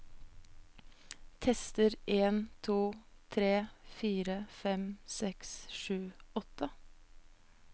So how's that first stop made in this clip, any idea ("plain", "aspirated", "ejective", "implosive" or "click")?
aspirated